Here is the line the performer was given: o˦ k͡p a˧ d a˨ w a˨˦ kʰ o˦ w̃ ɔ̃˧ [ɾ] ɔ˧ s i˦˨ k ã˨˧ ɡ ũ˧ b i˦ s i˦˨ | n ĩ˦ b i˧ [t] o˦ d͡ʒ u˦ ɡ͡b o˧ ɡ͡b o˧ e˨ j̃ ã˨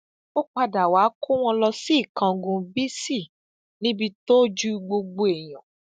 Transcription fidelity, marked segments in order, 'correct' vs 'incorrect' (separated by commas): incorrect, correct